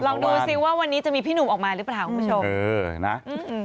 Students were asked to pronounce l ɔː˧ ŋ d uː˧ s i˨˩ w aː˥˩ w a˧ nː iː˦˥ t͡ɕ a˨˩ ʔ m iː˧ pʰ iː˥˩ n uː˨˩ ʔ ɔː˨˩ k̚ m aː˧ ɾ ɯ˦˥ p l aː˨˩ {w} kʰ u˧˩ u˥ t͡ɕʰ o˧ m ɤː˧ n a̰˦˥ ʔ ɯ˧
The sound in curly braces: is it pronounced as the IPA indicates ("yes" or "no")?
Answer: yes